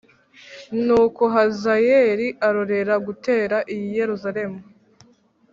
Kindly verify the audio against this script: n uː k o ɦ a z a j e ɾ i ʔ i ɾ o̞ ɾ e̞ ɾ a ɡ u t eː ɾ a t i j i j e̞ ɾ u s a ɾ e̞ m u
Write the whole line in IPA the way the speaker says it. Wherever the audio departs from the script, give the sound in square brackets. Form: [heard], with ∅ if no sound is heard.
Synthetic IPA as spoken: n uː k o ɦ a z a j e ɾ i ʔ [a] ɾ o̞ ɾ e̞ ɾ a ɡ u t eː ɾ a [ʔ] i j i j e̞ ɾ u [z] a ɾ e̞ m u

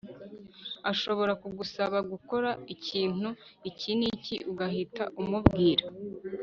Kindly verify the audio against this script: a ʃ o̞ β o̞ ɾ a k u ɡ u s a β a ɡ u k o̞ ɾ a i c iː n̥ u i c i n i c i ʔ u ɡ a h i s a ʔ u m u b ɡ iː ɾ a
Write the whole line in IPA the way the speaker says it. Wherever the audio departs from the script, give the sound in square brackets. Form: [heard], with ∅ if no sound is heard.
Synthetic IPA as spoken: a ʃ o̞ β o̞ ɾ a k u ɡ u s a β a ɡ u k o̞ ɾ a i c iː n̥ u i c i n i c i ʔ u ɡ a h i [t] a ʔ u m u b ɡ iː ɾ a

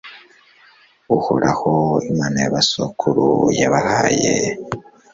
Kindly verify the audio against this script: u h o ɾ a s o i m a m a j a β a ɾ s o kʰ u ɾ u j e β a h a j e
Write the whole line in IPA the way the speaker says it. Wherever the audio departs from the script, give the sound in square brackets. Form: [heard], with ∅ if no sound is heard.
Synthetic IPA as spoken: u h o ɾ a [h] o i m a [n] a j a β a [∅] s o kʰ u ɾ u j [a] β a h a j e

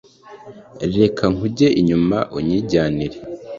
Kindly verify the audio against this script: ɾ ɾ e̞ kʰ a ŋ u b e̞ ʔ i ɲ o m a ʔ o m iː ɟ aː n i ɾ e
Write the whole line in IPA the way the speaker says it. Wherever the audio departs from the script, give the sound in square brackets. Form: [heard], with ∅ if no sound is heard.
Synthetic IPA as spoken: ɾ ɾ e̞ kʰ a ŋ u [ɟ] e̞ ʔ i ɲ [u] m a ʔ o [ɲ] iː ɟ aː n i ɾ e

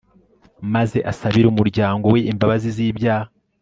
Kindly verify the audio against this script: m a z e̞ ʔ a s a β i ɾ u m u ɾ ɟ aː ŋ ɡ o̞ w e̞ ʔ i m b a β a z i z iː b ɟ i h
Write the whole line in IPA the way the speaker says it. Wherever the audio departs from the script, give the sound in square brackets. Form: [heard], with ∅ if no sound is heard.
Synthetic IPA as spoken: m a z e̞ ʔ a s a β i ɾ u m u ɾ ɟ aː ŋ ɡ o̞ w e̞ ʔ i m b a β a z i z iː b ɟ [a] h

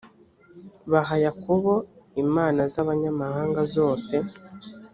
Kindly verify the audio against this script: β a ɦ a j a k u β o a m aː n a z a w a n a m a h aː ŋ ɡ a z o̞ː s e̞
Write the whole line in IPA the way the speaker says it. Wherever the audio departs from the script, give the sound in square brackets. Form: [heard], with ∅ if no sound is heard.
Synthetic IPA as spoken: β a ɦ a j a k u β o [i] m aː n a z a [β] a [ɲ] a m a h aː ŋ ɡ a z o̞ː s e̞

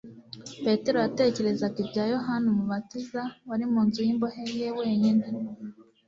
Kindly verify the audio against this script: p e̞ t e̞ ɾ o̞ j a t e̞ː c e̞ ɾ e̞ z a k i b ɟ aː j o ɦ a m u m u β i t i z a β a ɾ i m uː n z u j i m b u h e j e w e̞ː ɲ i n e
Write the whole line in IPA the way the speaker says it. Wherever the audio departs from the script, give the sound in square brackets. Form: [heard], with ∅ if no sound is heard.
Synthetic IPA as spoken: p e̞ t e̞ ɾ o̞ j a t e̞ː c e̞ ɾ e̞ z a k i b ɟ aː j o ɦ a [n] u m u β [a] t i z a [w] a ɾ i m uː n z u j i m b [o] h e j e w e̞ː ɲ i n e

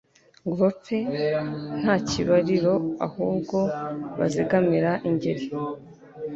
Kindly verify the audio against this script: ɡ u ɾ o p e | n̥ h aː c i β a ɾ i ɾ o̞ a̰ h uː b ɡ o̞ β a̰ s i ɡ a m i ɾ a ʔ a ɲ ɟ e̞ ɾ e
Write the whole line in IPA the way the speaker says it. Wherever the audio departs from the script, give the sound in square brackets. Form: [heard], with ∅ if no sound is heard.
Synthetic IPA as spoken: ɡ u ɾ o p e | n̥ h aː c i β a ɾ i ɾ o̞ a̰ h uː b ɡ o̞ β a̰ [z] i ɡ a m i ɾ a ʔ [i] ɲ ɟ e̞ ɾ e

